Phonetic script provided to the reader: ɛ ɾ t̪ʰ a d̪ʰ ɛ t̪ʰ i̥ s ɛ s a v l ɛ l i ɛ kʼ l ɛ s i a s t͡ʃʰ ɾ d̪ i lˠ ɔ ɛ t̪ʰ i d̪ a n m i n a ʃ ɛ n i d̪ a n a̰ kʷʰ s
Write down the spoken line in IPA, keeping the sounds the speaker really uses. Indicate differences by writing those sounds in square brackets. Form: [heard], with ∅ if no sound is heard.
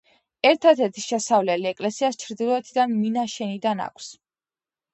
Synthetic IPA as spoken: ɛ ɾ t̪ʰ a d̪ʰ ɛ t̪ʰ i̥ [ʃ] ɛ s a v l ɛ l i ɛ kʼ l ɛ s i a s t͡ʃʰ ɾ d̪ i lˠ ɔ ɛ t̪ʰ i d̪ a n m i n a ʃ ɛ n i d̪ a n a̰ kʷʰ s